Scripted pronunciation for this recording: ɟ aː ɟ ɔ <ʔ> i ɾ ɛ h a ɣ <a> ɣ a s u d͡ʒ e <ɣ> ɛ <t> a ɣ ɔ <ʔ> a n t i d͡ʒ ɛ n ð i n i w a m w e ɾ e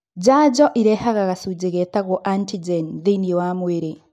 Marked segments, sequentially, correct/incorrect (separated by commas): correct, correct, correct, correct, correct